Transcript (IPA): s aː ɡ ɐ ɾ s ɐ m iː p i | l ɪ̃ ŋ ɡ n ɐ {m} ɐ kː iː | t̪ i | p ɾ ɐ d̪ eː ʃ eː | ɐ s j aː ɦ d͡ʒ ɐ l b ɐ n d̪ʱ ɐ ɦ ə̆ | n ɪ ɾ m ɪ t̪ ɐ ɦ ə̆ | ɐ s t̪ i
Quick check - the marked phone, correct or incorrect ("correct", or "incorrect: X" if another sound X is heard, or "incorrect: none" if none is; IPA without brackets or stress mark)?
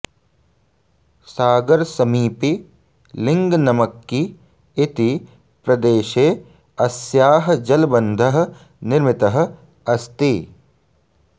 correct